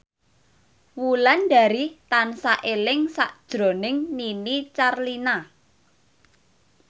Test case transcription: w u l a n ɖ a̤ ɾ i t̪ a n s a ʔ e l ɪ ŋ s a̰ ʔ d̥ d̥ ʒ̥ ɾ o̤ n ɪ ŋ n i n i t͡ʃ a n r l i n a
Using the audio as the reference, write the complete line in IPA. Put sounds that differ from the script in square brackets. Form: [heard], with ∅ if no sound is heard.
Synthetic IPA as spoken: w u l a n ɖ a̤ ɾ i t̪ a n s a ʔ e l ɪ ŋ s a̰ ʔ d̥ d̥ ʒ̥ ɾ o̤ n ɪ ŋ n i n i t͡ʃ a [∅] r l i n a